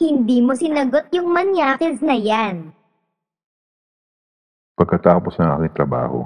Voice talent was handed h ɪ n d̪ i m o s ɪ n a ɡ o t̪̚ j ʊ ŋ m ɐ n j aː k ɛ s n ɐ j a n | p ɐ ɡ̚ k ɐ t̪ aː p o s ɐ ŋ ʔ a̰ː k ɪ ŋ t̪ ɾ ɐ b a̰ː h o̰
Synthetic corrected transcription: h ɪ n d̪ iː m o s ɪ n ɐ ɡ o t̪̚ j ʊ ŋ m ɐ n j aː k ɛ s n ɐ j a n | p ɐ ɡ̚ k ɐ t̪ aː p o s ɐ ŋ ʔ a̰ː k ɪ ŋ t̪ ɾ ɐ b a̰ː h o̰